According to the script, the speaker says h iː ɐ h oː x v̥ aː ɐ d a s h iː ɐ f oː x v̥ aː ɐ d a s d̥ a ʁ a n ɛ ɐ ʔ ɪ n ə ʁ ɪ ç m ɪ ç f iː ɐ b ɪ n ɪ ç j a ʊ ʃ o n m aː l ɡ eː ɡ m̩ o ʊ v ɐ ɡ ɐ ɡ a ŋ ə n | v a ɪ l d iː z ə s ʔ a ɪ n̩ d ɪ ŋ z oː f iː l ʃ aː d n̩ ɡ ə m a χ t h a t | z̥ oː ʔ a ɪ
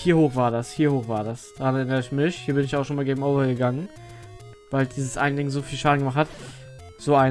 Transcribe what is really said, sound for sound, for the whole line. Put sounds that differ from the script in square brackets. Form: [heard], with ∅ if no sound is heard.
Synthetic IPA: h iː ɐ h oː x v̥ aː ɐ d a s h iː ɐ [h] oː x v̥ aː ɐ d a s d̥ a ʁ a n ɛ ɐ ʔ ɪ n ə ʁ ɪ ç m ɪ ç [h] iː ɐ b ɪ n ɪ ç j a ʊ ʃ o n m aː l ɡ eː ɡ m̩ o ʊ v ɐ ɡ [ə] ɡ a ŋ ə n | v a ɪ l d iː z ə s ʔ a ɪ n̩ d ɪ ŋ z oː f iː l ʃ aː d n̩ ɡ ə m a χ t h a t | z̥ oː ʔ a ɪ